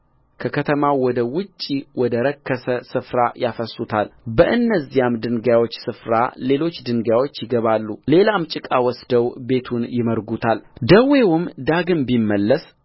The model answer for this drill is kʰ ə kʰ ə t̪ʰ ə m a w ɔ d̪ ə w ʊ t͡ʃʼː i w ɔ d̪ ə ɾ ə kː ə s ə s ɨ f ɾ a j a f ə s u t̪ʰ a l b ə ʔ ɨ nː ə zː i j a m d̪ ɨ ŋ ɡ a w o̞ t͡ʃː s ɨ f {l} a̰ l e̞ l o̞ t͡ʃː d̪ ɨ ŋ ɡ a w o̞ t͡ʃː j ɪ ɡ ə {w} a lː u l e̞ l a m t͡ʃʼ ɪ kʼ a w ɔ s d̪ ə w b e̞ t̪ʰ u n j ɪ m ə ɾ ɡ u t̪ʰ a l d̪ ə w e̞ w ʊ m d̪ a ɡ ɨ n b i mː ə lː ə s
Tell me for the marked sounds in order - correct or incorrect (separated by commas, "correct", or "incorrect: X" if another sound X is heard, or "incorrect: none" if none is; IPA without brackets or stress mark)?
incorrect: ɾ, incorrect: β